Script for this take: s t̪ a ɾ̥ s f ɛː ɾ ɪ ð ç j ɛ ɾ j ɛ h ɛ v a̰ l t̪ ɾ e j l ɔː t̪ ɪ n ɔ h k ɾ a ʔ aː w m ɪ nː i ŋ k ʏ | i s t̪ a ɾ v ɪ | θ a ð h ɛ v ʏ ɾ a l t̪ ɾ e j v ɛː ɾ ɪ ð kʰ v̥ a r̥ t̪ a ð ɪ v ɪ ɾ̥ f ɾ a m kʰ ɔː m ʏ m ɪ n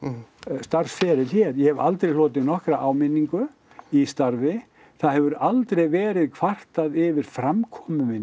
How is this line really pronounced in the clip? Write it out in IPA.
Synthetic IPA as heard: s t̪ a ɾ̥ s f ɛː ɾ ɪ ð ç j ɛ ɾ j ɛ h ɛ v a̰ l t̪ ɾ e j l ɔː t̪ ɪ n ɔ h k ɾ a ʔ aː w m ɪ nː i ŋ k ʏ | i s t̪ a ɾ v ɪ | θ a ð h ɛ v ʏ ɾ a l t̪ ɾ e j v ɛː ɾ ɪ ð kʰ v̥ a r̥ t̪ a ð ɪ v ɪ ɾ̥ f ɾ a m kʰ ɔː m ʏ m ɪ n